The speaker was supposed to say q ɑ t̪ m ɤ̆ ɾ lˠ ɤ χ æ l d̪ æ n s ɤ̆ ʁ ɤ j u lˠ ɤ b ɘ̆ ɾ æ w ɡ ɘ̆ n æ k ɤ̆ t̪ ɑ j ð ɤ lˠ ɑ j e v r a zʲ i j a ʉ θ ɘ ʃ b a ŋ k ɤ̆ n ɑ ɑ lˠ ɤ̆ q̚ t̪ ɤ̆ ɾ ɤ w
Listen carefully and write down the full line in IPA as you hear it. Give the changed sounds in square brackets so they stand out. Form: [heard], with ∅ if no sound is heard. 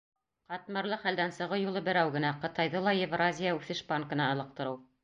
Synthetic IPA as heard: q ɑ t̪ m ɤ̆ ɾ lˠ ɤ χ æ l d̪ æ n s ɤ̆ ʁ ɤ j u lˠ ɤ b ɘ̆ ɾ æ w ɡ ɘ̆ n æ [q] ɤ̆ t̪ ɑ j ð ɤ lˠ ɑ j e v r a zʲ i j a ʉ θ ɘ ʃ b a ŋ k ɤ̆ n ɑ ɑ lˠ ɤ̆ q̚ t̪ ɤ̆ ɾ ɤ w